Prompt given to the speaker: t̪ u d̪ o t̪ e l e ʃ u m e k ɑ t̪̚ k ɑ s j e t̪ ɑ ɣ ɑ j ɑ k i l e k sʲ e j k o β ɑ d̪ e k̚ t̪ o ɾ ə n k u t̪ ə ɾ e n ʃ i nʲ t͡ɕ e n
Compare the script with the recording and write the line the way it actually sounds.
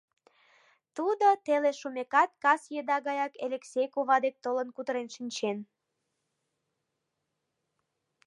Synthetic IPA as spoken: t̪ u d̪ o t̪ e l e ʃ u m e k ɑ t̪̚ k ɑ s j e d̪ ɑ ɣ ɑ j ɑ k e l e k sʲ e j k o β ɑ d̪ e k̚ t̪ o l ə n k u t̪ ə ɾ e n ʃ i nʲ t͡ɕ e n

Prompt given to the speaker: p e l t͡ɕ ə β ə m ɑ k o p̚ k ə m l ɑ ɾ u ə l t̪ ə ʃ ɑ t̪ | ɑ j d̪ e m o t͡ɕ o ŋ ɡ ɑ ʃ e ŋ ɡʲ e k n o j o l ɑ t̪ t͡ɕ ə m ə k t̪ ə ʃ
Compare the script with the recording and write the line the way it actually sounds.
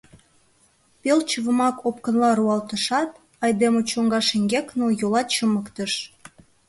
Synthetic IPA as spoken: p e l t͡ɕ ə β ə m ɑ k o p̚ k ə n l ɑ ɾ u ɑ l t̪ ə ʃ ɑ t̪ | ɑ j d̪ e m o t͡ɕ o ŋ ɡ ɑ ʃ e ŋ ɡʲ e k n o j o l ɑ t̪ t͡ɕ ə m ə k t̪ ə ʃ

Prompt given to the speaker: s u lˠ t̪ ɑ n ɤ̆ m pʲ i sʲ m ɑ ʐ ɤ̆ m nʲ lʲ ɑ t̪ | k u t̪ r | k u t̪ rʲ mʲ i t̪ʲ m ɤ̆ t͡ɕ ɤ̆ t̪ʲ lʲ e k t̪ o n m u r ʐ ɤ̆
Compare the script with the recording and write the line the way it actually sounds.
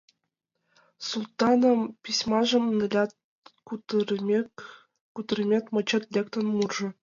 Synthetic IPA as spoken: s u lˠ t̪ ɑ n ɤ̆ m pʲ i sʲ m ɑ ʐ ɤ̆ m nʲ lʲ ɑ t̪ | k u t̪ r | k u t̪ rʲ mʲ e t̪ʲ m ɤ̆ t͡ɕ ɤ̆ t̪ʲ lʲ e k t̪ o n m u r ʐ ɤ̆

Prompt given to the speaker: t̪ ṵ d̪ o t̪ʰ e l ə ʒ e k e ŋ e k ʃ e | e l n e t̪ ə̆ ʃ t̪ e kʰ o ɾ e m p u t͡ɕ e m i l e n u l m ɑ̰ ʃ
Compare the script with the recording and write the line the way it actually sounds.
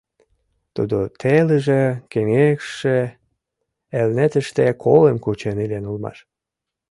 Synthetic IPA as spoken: t̪ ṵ d̪ o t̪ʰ e l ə ʒ e k e ŋ e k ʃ e | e l n e t̪ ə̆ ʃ t̪ e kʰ o l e m k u t͡ɕ e n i l e n u l m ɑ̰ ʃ

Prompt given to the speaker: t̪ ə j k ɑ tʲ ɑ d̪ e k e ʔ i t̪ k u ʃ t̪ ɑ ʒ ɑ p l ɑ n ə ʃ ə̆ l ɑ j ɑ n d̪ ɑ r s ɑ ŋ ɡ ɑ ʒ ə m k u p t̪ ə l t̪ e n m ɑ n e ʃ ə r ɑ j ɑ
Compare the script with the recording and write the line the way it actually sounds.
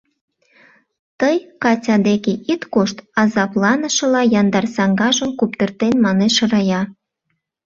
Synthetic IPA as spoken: t̪ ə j k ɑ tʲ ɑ d̪ e k e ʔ i t̪ k o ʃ t̪ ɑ z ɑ p l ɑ n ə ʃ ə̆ l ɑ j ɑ n d̪ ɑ r s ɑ ŋ ɡ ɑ ʒ ə m k u p t̪ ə r t̪ e n m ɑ n e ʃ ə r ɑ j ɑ

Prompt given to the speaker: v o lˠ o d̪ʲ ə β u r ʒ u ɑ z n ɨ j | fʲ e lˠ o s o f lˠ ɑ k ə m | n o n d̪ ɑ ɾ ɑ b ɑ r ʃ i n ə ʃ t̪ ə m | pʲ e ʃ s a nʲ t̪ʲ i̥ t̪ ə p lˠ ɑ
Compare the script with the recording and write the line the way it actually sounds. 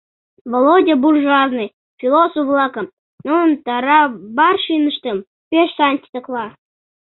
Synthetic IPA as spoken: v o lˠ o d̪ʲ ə b u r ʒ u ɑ z n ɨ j | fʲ i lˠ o s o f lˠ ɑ k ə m | n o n t̪ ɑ ɾ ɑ b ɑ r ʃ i n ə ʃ t̪ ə m | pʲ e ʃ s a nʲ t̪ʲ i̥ t̪ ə k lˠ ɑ

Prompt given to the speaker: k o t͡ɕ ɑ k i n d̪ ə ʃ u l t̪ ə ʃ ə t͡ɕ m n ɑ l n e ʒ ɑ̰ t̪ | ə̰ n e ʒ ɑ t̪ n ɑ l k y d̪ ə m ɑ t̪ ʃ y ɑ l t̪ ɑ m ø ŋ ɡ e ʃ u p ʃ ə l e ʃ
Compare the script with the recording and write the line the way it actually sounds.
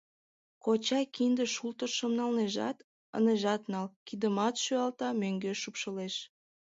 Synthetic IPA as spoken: k o t͡ɕ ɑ k i n d̪ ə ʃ u l t̪ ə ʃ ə m n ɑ l n e ʒ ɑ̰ t̪ | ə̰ n e ʒ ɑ t̪ n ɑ l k i d̪ ə m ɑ t̪ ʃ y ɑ l t̪ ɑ m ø ŋ ɡ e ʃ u p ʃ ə l e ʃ

